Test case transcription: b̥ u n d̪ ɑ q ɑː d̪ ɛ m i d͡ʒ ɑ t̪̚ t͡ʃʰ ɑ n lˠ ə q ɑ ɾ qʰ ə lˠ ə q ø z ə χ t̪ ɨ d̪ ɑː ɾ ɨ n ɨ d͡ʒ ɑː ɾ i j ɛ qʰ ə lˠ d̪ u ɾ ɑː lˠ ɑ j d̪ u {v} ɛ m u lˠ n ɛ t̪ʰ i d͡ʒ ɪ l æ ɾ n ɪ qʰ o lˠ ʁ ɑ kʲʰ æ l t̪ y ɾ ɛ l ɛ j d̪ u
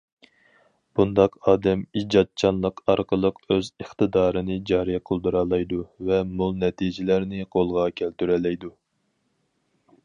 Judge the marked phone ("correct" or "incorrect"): correct